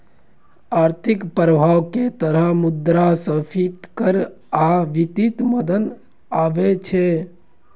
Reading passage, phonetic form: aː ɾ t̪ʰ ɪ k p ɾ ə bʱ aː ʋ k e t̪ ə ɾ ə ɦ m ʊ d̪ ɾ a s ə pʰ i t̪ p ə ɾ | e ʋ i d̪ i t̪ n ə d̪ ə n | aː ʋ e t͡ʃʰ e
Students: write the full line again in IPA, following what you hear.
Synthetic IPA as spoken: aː ɾ t̪ʰ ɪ k p ɾ ə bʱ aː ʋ k e t̪ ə ɾ ə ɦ m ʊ d̪ ɾ a s ə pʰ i t̪ k ə ɾ | a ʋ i t̪ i t̪ m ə d̪ ə n | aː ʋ e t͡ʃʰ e